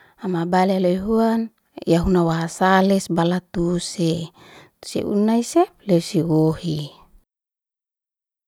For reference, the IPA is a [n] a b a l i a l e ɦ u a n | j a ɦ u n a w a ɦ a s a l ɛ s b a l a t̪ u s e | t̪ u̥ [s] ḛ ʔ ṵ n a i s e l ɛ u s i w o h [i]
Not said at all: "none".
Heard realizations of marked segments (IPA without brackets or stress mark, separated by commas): m, s, i